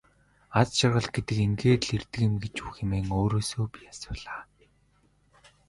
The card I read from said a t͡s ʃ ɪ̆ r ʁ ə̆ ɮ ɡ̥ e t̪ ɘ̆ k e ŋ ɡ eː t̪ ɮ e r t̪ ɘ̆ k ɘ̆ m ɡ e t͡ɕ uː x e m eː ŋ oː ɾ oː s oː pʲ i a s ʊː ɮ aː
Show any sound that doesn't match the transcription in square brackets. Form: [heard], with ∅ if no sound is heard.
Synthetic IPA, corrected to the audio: a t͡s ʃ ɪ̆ r ʁ ə̆ ɮ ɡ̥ e t̪ ɘ̆ k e ŋ ɡ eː t̪ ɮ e r t̪ ɘ̆ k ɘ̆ m ɡ e t͡ɕ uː x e m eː ŋ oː ɾ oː s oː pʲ i a s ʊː ɮ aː